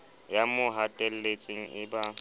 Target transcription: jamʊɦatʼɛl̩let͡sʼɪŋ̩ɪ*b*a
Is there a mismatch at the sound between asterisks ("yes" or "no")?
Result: no